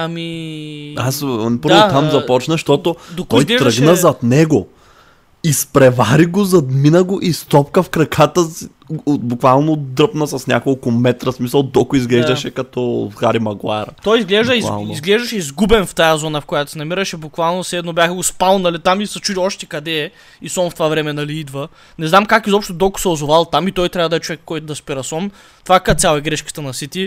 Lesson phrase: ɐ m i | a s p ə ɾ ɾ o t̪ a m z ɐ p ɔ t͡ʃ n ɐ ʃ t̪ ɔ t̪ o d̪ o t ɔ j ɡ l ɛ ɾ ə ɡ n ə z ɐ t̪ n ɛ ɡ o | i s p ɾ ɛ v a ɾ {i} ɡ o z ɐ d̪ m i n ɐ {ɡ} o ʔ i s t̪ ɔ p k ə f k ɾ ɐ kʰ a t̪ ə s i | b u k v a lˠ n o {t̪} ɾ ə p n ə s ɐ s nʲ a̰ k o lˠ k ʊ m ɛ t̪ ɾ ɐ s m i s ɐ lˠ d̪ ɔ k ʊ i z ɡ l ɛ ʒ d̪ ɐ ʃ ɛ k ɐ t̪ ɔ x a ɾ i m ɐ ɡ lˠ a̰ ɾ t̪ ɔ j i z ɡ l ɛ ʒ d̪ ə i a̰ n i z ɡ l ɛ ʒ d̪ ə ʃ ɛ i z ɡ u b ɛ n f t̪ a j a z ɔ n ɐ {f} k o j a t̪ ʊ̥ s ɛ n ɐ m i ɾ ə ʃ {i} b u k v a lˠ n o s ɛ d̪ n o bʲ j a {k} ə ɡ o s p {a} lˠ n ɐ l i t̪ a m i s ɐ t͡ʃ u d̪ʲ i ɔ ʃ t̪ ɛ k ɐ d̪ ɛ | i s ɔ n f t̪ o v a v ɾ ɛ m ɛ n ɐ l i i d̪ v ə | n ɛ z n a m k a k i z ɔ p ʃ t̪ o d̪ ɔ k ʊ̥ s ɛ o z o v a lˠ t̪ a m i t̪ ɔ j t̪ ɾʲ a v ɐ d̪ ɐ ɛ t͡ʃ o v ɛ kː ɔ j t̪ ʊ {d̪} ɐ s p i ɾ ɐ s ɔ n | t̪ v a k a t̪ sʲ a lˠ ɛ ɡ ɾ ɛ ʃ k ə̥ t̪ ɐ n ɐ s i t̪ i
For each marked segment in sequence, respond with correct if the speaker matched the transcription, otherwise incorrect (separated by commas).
correct, correct, incorrect, correct, incorrect, incorrect, correct, correct